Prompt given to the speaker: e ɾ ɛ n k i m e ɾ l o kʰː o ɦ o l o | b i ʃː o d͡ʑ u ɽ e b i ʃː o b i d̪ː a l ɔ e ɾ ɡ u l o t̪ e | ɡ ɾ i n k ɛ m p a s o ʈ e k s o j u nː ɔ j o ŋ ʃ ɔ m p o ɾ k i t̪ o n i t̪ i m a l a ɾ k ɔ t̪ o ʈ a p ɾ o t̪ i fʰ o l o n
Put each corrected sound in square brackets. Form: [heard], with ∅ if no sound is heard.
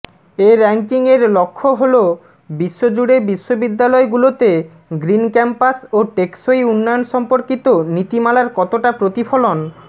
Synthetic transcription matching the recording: e ɾ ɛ [ŋ] k i [ŋ] e ɾ l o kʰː o ɦ o l o | b i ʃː o d͡ʑ u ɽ e b i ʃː o b i d̪ː a l ɔ e [∅] ɡ u l o t̪ e | ɡ ɾ i n k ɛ m p a s o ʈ e k s o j u nː ɔ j o [n] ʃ ɔ m p o ɾ k i t̪ o n i t̪ i m a l a ɾ k ɔ t̪ o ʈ a p ɾ o t̪ i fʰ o l o n